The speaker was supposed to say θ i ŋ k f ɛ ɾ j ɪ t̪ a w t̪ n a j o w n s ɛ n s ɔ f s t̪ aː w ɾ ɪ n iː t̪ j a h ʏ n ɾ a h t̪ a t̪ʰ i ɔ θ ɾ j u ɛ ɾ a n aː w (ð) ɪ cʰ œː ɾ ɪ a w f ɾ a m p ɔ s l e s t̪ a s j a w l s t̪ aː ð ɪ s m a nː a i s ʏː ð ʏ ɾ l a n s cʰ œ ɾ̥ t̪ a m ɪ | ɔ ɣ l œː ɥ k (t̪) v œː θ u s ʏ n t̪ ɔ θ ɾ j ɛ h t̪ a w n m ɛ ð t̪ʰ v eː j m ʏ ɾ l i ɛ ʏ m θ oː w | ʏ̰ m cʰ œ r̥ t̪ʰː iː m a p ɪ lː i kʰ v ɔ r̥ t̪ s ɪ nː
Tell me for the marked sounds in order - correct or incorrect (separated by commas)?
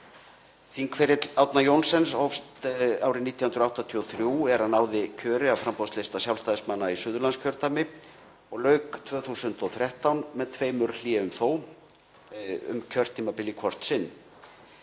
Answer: correct, incorrect